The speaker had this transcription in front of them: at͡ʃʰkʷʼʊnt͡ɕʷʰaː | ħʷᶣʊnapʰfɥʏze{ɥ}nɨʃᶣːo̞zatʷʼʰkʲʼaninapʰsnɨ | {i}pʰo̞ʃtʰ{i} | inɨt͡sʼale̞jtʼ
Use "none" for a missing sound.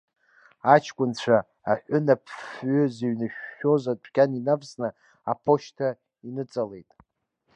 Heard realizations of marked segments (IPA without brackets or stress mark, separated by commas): ɥ, a, a